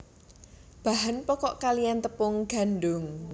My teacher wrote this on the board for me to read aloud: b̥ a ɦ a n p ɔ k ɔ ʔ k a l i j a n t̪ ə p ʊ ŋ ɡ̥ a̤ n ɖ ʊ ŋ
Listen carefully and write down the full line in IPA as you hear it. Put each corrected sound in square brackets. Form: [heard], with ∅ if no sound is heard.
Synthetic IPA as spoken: b̥ a ɦ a n p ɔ k ɔ ʔ k a l i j a n t̪ ə p ʊ ŋ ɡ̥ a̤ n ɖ ʊ ŋ